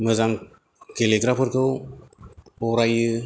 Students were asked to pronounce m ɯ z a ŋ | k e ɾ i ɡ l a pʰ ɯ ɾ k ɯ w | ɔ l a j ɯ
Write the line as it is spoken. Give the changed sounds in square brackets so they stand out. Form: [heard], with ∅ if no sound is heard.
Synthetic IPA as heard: m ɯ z a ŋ | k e [l] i ɡ [ɾ] a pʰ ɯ ɾ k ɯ w | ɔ [ɾ] a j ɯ